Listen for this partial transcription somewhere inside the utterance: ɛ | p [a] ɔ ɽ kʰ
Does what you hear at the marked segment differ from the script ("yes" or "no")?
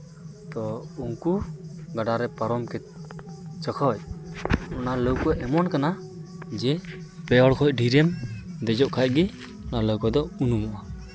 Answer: yes